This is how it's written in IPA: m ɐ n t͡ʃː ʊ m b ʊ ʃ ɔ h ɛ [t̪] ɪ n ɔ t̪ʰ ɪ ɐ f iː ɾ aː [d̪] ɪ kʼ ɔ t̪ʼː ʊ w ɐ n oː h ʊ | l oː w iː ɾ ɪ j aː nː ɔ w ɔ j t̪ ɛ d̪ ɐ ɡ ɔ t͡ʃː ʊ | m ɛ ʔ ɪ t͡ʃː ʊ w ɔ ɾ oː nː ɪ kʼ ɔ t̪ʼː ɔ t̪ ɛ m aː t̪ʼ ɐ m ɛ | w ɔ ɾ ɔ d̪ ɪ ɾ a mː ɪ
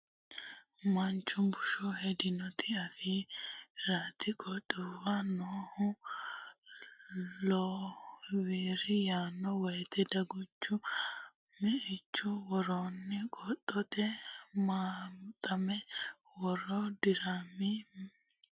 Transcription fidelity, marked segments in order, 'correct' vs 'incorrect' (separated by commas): incorrect, incorrect